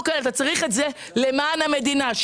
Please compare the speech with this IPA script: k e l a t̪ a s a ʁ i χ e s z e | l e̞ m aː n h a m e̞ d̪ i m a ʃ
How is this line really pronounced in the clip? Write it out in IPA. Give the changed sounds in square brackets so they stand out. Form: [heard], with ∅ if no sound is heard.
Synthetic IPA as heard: k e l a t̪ a [t͡s] a ʁ i χ e [t] z e | l e̞ m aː n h a m e̞ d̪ i [n] a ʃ